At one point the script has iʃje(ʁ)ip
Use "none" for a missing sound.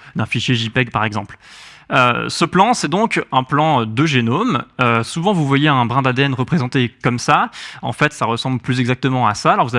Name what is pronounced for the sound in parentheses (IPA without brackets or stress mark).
ʒ